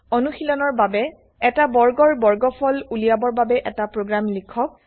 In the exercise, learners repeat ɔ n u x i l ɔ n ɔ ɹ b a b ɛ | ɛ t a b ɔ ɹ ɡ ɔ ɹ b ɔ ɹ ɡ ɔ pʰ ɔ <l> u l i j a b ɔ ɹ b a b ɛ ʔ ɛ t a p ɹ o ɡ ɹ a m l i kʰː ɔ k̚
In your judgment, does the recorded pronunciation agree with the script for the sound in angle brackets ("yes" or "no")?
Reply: yes